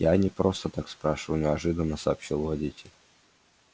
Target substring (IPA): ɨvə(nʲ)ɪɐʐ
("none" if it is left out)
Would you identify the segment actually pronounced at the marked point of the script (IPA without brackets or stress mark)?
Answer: nʲ